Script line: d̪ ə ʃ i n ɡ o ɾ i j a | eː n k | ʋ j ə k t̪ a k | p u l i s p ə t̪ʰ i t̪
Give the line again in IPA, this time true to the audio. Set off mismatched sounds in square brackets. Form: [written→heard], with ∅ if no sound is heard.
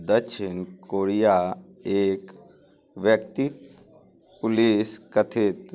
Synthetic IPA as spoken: d̪ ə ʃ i n [ɡ→k] o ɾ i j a | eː [n→∅] k | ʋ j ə k t̪ [a→i] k | p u l i s [p→k] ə t̪ʰ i t̪